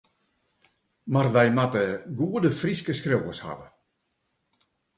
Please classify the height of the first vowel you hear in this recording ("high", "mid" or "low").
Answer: low